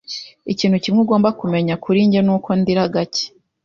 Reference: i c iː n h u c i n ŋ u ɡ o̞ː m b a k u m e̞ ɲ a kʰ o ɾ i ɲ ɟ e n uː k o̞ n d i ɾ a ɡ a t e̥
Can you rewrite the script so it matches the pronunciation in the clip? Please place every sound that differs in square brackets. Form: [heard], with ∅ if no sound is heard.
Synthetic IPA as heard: i c iː n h u c i [m] ŋ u ɡ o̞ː m b a k u m e̞ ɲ a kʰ [u] ɾ i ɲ ɟ e n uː k o̞ n d i ɾ a ɡ a [c] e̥